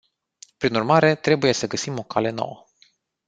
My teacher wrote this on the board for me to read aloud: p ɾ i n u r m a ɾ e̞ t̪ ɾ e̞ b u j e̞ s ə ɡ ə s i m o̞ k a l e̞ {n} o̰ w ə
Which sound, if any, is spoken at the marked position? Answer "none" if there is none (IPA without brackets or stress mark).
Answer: n